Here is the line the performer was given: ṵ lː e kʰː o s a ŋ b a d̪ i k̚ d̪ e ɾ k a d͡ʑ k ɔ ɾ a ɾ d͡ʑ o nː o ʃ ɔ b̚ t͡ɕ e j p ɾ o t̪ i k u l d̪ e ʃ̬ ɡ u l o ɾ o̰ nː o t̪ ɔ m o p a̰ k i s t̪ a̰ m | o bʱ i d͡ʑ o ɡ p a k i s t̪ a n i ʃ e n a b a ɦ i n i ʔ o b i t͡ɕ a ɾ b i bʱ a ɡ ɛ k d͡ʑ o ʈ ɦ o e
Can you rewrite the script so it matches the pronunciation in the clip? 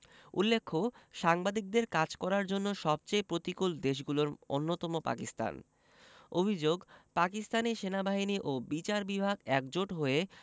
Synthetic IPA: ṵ lː e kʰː o ʃ a ŋ b a d̪ i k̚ d̪ e ɾ k a d͡ʑ k ɔ ɾ a ɾ d͡ʑ o nː o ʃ ɔ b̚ t͡ɕ e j p ɾ o t̪ i k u l d̪ e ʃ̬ ɡ u l o ɾ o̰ nː o t̪ ɔ m o p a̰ k i s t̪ a̰ n | o bʱ i d͡ʑ o ɡ p a k i s t̪ a n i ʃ e n a b a ɦ i n i ʔ o b i t͡ɕ a ɾ b i bʱ a ɡ ɛ k d͡ʑ o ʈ ɦ o e